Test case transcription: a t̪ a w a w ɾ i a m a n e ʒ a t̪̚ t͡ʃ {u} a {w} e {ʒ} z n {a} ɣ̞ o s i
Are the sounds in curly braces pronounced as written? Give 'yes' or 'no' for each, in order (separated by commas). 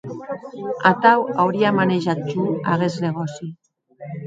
yes, no, no, no